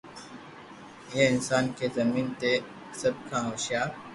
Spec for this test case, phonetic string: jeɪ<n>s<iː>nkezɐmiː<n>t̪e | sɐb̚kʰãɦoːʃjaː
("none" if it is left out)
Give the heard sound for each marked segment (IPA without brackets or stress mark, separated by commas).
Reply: n, aː, n